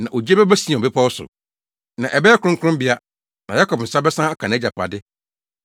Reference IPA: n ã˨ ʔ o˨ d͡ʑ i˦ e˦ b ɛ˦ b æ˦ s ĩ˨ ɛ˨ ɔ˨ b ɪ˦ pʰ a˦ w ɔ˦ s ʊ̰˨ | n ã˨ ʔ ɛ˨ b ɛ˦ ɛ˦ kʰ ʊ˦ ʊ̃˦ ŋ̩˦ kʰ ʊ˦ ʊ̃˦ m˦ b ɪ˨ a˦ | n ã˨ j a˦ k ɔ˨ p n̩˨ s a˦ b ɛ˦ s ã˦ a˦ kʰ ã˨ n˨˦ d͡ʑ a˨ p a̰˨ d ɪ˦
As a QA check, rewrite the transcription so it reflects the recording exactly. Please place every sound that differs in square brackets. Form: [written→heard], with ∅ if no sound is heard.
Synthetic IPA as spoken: n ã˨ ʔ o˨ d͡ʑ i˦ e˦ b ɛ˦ b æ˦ s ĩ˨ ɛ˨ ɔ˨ b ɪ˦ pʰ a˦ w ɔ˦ s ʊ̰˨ | n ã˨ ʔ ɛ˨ b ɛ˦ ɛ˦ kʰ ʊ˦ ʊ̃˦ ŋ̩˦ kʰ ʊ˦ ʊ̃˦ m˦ b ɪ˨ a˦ | n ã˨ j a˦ k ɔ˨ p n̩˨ s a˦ b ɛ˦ s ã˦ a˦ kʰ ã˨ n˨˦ d͡ʑ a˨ p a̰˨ d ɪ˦